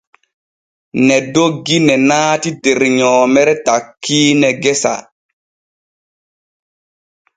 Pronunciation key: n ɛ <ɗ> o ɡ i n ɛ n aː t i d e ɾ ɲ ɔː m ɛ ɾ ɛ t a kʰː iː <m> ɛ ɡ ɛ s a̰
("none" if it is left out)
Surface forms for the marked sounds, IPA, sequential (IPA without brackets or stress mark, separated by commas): d, n